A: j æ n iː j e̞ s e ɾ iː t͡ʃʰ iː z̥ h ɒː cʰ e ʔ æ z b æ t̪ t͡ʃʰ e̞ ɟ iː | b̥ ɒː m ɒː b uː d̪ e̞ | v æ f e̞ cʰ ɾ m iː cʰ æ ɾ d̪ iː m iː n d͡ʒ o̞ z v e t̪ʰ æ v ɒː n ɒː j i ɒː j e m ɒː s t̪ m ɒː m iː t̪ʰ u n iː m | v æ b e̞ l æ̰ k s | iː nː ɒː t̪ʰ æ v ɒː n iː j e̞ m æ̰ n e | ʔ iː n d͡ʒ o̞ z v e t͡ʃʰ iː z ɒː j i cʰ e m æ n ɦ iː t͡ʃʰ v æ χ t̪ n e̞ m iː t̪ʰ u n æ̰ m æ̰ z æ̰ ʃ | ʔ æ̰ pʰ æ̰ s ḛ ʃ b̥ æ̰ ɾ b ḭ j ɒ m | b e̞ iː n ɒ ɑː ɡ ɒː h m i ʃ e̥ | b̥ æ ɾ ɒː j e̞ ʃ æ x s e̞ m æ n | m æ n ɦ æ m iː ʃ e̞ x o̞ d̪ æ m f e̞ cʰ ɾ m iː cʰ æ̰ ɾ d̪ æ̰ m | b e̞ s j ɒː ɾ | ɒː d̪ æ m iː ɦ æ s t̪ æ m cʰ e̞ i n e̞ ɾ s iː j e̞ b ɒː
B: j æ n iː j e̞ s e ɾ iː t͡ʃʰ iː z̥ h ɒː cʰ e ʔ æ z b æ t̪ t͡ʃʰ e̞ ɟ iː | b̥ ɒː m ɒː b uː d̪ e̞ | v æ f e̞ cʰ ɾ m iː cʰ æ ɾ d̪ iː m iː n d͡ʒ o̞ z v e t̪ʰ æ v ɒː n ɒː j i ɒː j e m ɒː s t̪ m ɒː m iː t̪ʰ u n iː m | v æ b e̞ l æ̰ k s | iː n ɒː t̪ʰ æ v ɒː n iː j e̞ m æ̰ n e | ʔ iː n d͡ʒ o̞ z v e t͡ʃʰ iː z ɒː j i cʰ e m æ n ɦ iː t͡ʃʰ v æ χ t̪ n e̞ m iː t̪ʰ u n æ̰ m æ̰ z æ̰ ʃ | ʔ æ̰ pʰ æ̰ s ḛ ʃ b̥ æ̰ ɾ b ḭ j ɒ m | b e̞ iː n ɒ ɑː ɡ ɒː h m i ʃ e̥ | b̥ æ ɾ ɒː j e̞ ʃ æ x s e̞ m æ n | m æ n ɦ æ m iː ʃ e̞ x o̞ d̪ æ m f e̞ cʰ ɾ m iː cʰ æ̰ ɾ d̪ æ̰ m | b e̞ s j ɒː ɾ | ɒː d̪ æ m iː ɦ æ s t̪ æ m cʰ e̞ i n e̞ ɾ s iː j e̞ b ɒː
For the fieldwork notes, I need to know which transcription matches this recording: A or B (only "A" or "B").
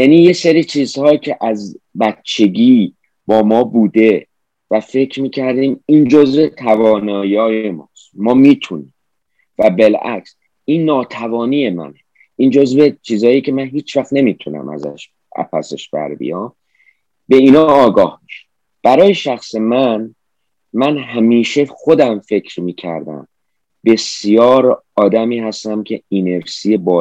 A